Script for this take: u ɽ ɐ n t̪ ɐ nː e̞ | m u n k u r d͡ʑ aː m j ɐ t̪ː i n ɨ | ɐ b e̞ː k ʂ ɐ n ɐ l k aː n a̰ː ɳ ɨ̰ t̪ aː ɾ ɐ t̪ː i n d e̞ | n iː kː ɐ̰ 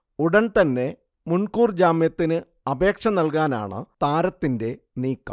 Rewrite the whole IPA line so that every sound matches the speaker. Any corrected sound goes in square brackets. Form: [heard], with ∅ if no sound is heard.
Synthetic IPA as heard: u ɽ ɐ n t̪ ɐ nː e̞ | m u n k [uː] r d͡ʑ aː m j ɐ t̪ː i n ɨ | ɐ b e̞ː k ʂ ɐ n ɐ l k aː n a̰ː ɳ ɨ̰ t̪ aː ɾ ɐ t̪ː i n d e̞ | n iː kː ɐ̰